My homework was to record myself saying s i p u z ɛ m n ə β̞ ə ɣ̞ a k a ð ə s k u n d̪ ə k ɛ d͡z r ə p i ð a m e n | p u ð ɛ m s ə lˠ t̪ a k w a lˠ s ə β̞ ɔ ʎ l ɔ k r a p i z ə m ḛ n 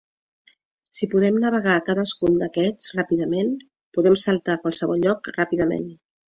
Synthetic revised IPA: s i p u ð ɛ m n ə β̞ ə ɣ̞ a k a ð ə s k u n d̪ ə k ɛ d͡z r a p i ð ə m e n | p u ð ɛ m s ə lˠ t̪ a k w a lˠ s ə β̞ ɔ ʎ ʎ ɔ k r a p i ð ə m ḛ n